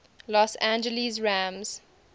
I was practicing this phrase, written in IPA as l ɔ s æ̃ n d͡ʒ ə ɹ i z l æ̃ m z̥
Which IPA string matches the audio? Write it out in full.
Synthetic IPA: l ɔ s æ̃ n d͡ʒ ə l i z ɹ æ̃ m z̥